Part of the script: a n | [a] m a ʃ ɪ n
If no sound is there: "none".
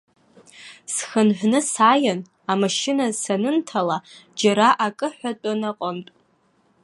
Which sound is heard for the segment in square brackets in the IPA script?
a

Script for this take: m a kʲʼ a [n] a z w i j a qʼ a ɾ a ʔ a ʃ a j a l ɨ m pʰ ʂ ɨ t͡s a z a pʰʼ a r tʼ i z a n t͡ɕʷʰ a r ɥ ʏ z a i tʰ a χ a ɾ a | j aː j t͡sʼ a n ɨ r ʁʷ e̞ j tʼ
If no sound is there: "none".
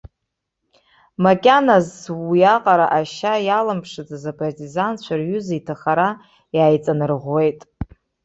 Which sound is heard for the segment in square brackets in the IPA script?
n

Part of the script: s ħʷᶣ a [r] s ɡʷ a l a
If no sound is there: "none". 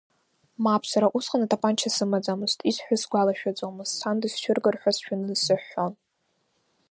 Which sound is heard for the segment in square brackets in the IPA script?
none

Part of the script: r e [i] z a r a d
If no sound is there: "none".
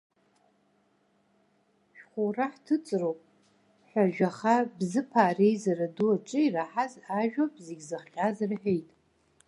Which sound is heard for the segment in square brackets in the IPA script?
j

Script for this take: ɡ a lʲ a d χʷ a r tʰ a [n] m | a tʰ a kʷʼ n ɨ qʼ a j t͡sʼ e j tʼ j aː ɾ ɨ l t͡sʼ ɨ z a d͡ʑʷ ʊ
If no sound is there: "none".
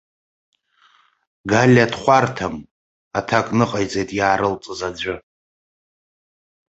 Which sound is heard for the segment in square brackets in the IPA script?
none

